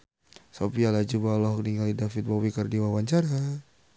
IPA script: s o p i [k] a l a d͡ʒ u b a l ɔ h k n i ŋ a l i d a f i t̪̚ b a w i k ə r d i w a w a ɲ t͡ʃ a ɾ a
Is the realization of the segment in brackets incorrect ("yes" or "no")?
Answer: yes